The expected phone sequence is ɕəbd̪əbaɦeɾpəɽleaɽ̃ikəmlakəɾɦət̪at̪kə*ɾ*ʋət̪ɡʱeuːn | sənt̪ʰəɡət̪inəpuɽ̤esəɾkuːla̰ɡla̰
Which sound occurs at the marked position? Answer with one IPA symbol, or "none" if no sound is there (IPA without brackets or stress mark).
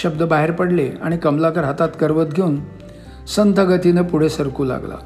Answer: ɾ